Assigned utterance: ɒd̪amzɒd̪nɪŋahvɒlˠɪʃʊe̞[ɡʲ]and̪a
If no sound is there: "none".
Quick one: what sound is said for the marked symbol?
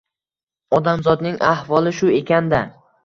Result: kʲ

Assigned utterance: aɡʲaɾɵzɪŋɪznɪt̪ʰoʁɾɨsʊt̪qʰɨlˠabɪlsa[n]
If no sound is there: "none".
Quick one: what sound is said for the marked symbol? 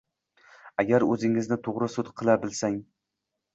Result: ŋ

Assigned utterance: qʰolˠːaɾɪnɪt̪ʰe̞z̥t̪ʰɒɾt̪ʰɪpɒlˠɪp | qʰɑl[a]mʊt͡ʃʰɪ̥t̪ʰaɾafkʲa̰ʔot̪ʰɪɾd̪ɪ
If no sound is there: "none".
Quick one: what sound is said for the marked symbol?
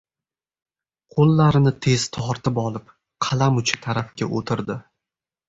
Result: a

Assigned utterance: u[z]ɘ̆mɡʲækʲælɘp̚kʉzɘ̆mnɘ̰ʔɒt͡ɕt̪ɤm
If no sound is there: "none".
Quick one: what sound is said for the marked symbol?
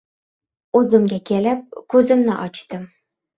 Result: z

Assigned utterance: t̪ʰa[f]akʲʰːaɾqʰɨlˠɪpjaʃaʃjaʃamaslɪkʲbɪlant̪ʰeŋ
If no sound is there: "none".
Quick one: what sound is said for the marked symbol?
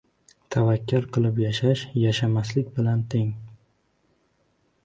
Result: v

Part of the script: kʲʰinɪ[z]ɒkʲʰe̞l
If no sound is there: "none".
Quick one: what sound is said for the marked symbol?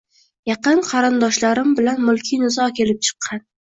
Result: z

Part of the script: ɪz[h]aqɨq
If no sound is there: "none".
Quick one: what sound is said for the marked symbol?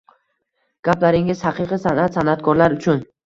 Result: h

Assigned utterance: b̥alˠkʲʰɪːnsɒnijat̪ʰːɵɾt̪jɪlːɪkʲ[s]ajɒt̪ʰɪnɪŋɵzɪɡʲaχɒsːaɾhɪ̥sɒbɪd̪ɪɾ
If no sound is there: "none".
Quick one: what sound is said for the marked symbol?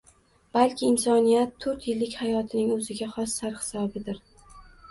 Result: h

